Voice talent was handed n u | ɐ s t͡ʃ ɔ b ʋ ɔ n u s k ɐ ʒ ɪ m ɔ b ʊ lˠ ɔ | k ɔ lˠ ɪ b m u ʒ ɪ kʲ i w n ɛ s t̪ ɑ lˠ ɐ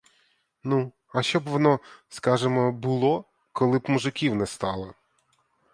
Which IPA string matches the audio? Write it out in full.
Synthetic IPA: n u | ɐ ʃ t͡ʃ ɔ b ʋ ɔ n ɔ s k ɑ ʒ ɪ m ɔ b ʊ lˠ ɔ | k ɔ lˠ ɪ b m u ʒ ɪ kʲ i w n ɛ s t̪ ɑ lˠ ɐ